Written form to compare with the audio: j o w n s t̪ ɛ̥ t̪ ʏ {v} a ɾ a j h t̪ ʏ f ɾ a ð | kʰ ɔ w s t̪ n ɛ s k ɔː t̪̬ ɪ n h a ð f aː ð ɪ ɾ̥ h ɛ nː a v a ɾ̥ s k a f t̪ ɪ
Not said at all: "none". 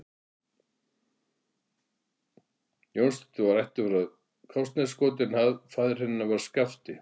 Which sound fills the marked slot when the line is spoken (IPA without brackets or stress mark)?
v